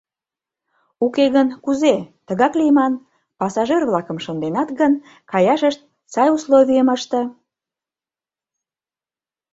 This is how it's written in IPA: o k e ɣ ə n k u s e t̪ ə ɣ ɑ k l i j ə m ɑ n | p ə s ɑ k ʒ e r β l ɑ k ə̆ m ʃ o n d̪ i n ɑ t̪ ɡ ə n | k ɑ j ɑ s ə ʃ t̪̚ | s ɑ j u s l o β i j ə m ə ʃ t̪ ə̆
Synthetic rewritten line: u k e ɣ ə n k u z e t̪ ə ɣ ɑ k l i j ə m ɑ n | p ɑ s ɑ ʒ e r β l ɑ k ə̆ m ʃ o n d̪ e n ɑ t̪ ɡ ə n | k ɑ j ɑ ʃ ə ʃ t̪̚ | s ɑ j u s l o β i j ə m ə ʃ t̪ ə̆